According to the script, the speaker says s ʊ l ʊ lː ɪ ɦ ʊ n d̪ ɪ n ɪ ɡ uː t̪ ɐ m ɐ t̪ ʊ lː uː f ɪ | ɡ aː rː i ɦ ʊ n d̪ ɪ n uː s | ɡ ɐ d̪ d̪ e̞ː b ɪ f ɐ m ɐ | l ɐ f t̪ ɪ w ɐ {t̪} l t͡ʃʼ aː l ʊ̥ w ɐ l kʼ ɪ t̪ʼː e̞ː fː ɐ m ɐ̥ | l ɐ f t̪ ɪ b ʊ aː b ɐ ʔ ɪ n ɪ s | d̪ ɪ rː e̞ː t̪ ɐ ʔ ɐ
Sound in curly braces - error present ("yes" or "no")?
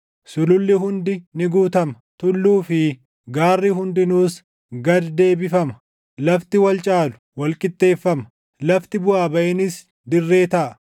yes